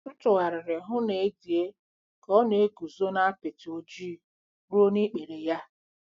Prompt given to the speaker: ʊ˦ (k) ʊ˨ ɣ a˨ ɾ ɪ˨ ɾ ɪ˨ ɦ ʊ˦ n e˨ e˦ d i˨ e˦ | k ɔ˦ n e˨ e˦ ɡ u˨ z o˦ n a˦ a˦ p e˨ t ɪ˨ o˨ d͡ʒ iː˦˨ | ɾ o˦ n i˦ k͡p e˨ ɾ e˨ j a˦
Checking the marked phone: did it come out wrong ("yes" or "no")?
yes